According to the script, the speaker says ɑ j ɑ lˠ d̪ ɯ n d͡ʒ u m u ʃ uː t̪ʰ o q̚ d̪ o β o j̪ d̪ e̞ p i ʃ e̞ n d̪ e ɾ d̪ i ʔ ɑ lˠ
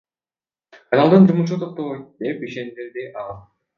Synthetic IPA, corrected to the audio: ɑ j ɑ lˠ d̪ ɯ n d͡ʒ u m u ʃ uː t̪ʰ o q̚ t̪ o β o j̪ d̪ e̞ p i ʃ e̞ n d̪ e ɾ d̪ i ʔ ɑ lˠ